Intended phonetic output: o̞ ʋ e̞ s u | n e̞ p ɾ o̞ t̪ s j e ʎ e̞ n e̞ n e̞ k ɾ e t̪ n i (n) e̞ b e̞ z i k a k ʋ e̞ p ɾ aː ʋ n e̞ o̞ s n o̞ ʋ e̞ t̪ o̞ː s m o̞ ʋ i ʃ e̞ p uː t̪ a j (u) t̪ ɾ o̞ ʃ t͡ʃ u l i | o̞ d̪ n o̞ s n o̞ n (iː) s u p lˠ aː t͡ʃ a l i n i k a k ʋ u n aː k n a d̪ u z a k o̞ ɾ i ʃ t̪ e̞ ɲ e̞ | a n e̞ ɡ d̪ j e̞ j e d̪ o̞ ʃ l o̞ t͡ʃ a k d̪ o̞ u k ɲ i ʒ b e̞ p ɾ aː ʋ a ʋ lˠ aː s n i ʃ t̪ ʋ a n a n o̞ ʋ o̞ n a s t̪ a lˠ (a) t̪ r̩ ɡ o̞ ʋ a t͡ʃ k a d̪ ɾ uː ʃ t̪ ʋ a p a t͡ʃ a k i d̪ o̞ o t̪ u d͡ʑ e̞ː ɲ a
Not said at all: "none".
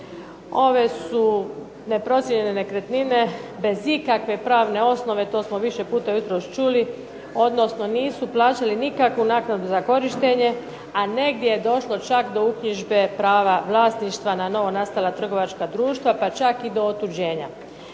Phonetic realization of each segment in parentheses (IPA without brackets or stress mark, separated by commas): n, u, iː, a